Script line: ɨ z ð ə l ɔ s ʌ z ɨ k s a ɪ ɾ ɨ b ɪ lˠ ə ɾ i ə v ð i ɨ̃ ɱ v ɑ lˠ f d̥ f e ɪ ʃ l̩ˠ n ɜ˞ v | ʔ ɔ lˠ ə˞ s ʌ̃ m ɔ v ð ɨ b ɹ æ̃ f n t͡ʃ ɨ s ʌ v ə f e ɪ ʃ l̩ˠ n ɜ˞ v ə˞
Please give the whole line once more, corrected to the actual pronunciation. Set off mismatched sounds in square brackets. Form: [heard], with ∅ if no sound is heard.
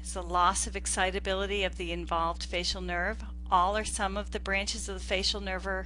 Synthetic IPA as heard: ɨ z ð ə l ɔ s ʌ [v] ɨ k s a ɪ ɾ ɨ b ɪ lˠ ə ɾ i [ʌ] v ð i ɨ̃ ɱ v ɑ lˠ [v] d̥ f e ɪ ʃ l̩ˠ n ɜ˞ v | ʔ ɔ lˠ ə˞ s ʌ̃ m [ʌ] v ð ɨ b ɹ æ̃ [∅] n t͡ʃ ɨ [z] ʌ v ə f e ɪ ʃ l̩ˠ n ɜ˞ v ə˞